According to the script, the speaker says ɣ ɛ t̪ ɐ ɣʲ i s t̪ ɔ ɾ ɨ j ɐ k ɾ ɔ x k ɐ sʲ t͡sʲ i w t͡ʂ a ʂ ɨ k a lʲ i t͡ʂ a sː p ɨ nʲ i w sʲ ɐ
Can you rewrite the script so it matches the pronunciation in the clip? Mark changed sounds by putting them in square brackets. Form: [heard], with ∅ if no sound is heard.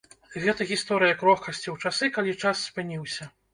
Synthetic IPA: ɣ ɛ t̪ ɐ ɣʲ i s t̪ ɔ ɾ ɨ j ɐ k ɾ ɔ x k ɐ sʲ t͡sʲ i w t͡ʂ a [s] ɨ k a lʲ i t͡ʂ a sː p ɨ nʲ i w sʲ ɐ